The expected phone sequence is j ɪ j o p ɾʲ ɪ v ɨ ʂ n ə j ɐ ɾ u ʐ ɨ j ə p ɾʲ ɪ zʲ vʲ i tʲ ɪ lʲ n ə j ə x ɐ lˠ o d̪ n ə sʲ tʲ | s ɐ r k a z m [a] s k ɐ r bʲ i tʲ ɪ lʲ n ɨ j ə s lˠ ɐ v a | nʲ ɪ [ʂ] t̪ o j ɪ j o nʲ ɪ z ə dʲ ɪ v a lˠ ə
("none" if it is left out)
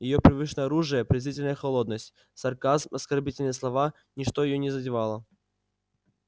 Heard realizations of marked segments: ɐ, ʂ

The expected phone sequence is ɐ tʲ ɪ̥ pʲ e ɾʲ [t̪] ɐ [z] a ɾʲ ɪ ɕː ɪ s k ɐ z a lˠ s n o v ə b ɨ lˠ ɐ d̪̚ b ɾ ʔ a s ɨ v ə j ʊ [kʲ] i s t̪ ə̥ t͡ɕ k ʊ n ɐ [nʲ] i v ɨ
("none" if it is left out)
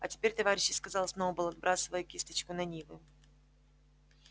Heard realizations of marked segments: t̪, v, kʲ, nʲ

